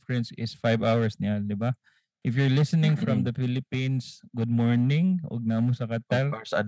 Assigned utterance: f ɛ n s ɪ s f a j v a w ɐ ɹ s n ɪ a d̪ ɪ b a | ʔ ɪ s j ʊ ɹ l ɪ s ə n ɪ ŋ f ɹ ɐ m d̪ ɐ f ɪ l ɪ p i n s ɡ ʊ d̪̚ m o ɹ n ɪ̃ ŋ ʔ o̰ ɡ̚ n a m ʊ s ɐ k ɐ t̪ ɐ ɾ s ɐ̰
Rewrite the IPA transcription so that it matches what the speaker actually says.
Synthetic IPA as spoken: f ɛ n s ɪ s f a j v a w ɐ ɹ s n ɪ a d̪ ɪ b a | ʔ ɪ f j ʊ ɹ l ɪ s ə n ɪ ŋ f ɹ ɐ m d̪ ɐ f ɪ l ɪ p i n s ɡ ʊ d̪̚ m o ɹ n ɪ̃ ŋ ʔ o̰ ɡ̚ n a m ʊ s ɐ k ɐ t̪ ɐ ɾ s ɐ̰